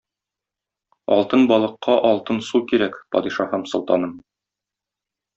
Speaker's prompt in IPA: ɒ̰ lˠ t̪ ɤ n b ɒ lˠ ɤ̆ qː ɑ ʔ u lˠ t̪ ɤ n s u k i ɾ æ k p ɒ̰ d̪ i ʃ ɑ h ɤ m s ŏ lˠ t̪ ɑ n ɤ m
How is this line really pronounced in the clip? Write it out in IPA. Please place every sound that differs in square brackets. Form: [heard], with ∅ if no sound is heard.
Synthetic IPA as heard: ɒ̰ lˠ t̪ ɤ n b ɒ lˠ ɤ̆ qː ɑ ʔ [ɒ] lˠ t̪ ɤ n s u k i ɾ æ k p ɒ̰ d̪ i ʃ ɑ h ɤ m s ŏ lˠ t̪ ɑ n ɤ m